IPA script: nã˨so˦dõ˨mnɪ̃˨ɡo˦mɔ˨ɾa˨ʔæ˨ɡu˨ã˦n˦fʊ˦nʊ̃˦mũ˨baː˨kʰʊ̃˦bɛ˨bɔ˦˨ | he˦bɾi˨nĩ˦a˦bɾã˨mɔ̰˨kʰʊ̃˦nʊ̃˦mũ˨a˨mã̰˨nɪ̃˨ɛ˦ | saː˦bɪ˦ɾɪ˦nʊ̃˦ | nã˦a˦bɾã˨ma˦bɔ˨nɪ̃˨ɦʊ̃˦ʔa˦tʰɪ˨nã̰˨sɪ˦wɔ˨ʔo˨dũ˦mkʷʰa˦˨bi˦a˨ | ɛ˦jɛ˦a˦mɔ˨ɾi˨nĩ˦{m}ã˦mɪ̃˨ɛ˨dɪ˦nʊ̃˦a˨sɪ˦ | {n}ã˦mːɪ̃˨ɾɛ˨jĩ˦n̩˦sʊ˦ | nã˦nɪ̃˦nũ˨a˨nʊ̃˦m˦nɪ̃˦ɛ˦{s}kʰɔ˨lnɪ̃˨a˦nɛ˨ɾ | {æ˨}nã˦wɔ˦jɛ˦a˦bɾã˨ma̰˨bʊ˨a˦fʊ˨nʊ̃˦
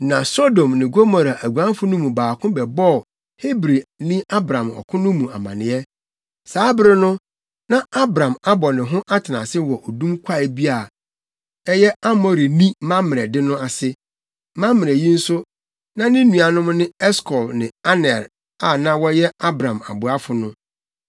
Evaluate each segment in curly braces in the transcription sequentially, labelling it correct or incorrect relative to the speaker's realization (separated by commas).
correct, incorrect, correct, incorrect